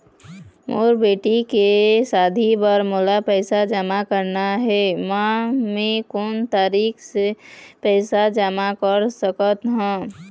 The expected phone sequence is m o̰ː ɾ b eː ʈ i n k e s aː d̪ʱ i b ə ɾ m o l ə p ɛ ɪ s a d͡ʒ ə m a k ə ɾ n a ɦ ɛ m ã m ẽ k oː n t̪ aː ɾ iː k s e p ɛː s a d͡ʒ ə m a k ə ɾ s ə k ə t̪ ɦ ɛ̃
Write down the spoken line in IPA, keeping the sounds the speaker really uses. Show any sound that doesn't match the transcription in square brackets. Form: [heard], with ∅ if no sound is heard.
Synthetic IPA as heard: m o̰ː ɾ b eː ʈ i [∅] k e s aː d̪ʱ i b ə ɾ m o l [a] p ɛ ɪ s a d͡ʒ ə m a k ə ɾ n a ɦ ɛ m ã m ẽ k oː n t̪ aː ɾ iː k s e p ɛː s a d͡ʒ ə m a k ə ɾ s ə k ə t̪ ɦ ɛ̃